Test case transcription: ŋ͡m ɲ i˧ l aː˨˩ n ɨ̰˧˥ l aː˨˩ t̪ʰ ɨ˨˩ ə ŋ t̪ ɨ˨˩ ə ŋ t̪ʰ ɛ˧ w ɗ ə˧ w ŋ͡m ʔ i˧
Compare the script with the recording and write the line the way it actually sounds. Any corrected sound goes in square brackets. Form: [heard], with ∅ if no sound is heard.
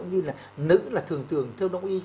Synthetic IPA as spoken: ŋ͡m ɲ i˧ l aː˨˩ n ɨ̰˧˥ l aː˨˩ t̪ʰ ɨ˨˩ ə ŋ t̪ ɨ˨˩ ə ŋ t̪ʰ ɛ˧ w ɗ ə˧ w ŋ͡m ʔ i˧

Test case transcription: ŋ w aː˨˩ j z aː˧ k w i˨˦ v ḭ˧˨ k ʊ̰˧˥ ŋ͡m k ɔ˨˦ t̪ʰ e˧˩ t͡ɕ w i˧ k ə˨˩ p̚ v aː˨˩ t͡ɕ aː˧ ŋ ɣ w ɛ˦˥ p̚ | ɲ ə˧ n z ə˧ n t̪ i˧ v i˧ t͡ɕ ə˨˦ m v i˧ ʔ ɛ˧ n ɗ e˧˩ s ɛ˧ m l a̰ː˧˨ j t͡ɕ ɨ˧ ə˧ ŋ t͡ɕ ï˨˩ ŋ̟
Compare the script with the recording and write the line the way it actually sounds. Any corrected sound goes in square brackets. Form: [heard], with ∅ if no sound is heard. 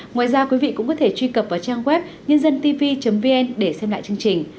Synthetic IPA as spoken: ŋ w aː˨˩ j z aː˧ k w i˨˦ v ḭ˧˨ k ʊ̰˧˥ ŋ͡m k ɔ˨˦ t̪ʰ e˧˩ t͡ɕ w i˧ k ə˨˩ p̚ v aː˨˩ t͡ɕ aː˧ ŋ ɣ w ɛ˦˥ p̚ | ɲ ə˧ n z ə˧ n t̪ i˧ v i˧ t͡ɕ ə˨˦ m v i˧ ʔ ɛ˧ n ɗ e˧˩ s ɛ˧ m l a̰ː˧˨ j t͡ɕ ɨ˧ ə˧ ŋ t͡ɕ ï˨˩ ŋ̟

